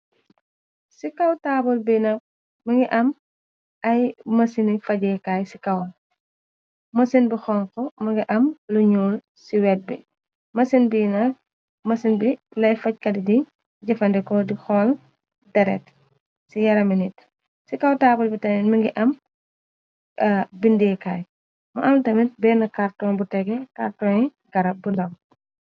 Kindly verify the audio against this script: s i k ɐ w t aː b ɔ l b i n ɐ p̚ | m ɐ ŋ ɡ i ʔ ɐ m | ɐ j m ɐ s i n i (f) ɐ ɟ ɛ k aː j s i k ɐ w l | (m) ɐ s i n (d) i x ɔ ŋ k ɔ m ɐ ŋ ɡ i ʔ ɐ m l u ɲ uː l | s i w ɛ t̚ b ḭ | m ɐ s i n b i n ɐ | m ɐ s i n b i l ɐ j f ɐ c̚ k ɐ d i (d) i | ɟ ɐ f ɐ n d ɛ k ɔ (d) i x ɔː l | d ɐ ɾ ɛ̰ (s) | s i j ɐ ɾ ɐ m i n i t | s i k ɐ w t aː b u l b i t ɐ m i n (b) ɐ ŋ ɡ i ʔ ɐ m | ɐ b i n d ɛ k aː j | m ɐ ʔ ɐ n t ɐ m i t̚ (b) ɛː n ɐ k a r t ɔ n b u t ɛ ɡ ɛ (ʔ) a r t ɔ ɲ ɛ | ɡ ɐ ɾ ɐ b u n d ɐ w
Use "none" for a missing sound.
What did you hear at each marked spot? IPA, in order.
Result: f, m, b, d, d, t, m, b, k

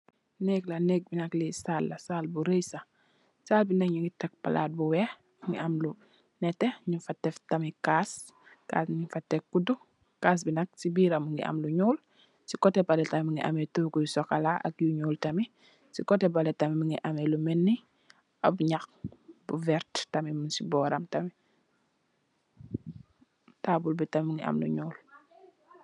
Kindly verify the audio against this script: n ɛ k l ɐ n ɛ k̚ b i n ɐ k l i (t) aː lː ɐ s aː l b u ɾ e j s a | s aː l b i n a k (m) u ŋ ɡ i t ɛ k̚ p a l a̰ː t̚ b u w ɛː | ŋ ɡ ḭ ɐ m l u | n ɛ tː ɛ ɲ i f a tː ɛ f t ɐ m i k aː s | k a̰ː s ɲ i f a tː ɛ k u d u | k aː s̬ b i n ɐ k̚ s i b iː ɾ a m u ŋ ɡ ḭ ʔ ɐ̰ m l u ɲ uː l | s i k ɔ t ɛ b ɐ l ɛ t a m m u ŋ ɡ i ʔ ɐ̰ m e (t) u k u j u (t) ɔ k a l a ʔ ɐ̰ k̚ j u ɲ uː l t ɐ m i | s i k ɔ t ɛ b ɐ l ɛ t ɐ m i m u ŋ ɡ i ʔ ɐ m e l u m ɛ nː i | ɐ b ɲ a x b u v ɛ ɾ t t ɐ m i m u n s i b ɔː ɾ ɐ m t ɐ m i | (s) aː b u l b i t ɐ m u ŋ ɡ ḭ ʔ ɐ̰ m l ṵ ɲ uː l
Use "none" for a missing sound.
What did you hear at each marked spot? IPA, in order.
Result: s, ɲ, t, s, t

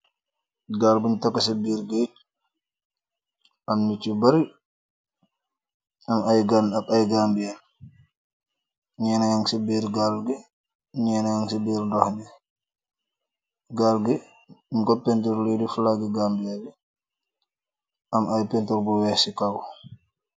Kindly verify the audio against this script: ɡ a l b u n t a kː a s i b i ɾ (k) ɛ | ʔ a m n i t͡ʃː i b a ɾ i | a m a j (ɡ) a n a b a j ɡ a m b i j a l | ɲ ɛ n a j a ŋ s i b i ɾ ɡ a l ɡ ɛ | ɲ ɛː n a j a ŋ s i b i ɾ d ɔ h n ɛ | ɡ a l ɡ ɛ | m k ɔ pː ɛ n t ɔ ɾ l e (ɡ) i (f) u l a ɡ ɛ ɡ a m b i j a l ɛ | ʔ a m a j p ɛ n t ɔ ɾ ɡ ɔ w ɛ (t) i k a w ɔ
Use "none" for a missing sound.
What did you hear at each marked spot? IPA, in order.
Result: ɡ, ɡ, d, f, s

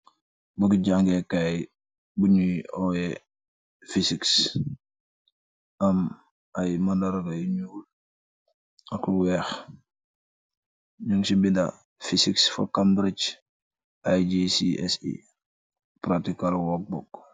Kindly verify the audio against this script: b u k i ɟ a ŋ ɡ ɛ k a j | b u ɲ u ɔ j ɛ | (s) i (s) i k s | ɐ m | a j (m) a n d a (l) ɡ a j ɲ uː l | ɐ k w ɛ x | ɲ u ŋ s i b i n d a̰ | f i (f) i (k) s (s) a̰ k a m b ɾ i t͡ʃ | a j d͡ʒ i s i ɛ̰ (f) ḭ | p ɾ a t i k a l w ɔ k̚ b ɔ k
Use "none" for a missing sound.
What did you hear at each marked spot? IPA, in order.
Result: f, s, m, ɾ, s, k, f, s

